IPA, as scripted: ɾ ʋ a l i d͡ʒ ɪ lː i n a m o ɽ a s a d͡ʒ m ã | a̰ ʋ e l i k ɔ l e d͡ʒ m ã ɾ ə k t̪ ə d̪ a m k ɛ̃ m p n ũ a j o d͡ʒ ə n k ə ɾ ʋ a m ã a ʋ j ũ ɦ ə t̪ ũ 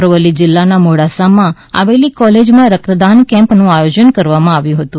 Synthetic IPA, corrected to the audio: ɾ ʋ ə l i d͡ʒ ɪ lː a n a m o ɽ a s a m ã | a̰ ʋ e l i k ɔ l e d͡ʒ m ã ɾ ə k t̪ ə d̪ a n k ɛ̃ m p n ũ a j o d͡ʒ ə n k ə ɾ ʋ a m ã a ʋ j ũ ɦ ə t̪ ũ